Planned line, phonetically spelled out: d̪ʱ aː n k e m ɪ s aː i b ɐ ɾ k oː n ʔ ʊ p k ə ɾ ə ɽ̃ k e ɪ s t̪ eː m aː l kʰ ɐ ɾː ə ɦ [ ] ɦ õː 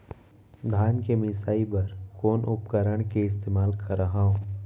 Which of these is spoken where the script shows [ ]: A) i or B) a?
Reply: B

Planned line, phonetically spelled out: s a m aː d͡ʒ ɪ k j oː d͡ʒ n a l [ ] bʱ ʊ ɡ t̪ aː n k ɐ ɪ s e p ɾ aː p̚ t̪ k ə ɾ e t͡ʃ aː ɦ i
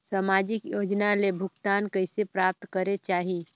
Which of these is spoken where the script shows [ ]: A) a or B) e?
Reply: B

